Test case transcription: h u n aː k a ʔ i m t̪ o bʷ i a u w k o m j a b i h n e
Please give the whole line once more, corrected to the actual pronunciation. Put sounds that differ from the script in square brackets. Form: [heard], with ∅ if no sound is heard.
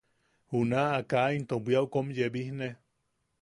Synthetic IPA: h u n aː k a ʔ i [n] t̪ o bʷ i a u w k o m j [e] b i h n e

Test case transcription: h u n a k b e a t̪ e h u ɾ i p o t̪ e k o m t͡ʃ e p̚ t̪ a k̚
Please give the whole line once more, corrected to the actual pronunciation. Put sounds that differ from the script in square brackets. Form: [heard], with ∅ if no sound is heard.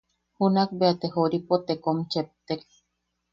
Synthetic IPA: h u n a k b e a t̪ e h [o] ɾ i p o t̪ e k o m t͡ʃ e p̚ t̪ [e] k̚

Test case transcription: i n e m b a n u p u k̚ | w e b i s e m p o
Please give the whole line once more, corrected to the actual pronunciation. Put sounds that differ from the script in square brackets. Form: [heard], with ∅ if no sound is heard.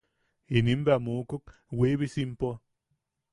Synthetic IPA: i n [i] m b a [m] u [k] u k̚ | w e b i s [i] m p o

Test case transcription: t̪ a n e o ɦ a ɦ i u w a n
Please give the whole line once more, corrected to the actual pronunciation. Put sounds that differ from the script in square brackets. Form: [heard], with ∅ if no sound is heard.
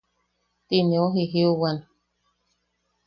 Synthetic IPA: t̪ [i] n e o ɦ [i] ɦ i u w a n

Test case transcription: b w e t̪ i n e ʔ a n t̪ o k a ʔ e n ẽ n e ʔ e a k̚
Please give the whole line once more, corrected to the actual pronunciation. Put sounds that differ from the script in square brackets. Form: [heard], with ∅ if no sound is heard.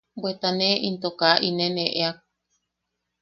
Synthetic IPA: b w e t̪ [a] n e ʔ [i] n t̪ o k a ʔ [i] n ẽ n e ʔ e a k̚

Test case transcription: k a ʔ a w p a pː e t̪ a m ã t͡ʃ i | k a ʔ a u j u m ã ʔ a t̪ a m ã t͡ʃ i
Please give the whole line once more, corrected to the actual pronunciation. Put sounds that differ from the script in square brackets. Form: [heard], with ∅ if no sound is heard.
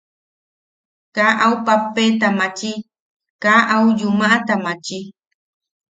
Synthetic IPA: k a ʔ a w p a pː e t̪ a m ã t͡ʃ i | k a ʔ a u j u m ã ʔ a t̪ a m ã t͡ʃ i

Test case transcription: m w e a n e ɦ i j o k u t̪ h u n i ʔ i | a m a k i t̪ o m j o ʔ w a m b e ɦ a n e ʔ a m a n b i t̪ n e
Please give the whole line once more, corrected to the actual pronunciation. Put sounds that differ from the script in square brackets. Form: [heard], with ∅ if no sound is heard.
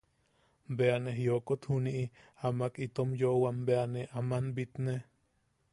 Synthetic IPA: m [b] e a n e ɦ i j o k [o] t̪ h u n i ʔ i | a m a k i t̪ o m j o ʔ w a m b e [∅] a n e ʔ a m a n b i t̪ n e

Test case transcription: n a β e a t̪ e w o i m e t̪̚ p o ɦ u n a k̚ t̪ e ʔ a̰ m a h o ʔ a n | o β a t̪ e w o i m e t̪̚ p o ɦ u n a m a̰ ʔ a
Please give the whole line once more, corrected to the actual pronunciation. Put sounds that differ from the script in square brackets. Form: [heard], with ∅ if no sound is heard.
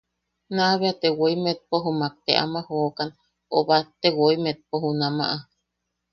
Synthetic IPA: n a β e a t̪ e w o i m e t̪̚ p o ɦ u [m] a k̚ t̪ e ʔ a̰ m a h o [k] a n | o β a t̪ e w o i m e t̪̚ p o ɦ u n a m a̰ ʔ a

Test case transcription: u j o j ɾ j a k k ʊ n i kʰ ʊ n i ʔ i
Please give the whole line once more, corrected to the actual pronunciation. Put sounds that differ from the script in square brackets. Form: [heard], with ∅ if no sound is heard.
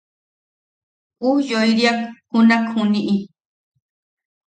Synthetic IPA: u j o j ɾ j a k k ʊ n [a] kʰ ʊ n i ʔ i

